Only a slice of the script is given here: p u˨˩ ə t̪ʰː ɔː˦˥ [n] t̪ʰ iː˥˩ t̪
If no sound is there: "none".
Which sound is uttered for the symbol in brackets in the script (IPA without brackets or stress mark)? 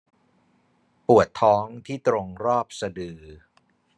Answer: ŋ